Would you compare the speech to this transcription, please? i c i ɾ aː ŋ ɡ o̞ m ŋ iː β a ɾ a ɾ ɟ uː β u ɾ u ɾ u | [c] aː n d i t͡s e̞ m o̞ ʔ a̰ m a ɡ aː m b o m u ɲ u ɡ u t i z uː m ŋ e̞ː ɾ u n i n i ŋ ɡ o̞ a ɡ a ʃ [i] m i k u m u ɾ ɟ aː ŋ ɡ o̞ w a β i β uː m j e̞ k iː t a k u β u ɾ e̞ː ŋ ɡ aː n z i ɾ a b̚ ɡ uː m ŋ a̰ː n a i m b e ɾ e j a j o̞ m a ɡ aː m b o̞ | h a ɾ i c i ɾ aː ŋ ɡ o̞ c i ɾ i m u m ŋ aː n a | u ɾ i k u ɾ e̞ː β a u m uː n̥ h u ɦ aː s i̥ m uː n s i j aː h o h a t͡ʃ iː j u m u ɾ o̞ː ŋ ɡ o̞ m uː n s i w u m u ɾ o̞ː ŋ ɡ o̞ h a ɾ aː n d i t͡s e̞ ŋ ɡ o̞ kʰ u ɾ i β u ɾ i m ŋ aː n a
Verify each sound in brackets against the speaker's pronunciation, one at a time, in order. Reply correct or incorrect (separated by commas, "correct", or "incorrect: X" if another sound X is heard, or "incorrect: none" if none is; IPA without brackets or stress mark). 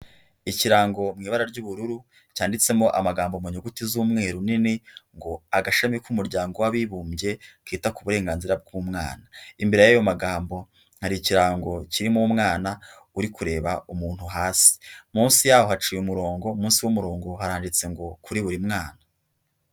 correct, incorrect: a